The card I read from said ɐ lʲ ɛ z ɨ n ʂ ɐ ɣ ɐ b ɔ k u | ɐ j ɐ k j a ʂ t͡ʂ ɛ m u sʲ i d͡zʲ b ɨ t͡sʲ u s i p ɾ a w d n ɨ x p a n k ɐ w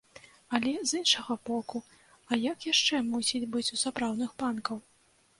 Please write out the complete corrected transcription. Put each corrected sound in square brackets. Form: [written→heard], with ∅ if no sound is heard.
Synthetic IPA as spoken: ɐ lʲ ɛ z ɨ n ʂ ɐ ɣ ɐ b ɔ k u | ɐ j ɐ k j a ʂ t͡ʂ ɛ m u sʲ i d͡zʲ b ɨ t͡sʲ u s [i→a] p ɾ a w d n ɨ x p a n k ɐ w